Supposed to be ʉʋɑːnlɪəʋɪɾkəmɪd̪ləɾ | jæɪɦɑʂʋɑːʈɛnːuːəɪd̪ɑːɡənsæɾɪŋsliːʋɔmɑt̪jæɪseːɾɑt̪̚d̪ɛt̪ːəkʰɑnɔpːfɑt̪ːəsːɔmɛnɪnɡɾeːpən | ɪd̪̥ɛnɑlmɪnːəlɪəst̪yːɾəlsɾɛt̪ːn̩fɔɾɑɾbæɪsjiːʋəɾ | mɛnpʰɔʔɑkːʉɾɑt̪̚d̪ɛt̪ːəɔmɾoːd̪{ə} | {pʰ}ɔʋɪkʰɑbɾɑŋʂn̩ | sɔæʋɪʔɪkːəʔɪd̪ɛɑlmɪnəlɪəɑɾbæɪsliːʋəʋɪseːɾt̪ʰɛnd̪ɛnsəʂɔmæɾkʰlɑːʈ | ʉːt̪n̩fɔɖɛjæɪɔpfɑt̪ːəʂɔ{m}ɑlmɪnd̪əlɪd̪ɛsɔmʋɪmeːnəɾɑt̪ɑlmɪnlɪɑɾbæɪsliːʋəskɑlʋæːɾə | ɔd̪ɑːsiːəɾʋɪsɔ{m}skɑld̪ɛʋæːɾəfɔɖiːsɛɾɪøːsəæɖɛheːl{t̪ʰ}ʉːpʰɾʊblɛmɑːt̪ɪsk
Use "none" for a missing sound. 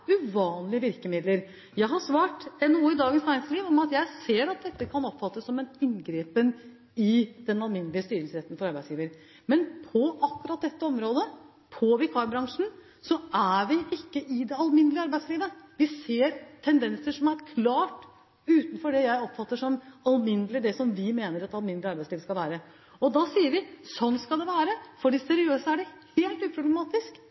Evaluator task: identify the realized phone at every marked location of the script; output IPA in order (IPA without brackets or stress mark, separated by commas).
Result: ə, pʰ, m, n, t̪